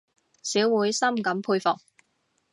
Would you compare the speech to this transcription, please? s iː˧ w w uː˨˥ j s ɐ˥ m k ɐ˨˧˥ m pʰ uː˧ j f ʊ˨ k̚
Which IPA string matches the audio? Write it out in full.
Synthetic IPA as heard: s iː˨˥ w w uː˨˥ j s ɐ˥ m k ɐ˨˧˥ m pʰ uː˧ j f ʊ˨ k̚